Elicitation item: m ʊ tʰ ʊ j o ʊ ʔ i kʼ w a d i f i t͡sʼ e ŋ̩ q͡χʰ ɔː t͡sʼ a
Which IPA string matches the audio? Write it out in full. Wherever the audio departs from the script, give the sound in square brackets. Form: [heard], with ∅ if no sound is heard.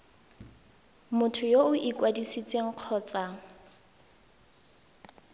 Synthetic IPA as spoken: m ʊ tʰ ʊ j o ʊ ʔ i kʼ w a d i [s] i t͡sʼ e ŋ̩ q͡χʰ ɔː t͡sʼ a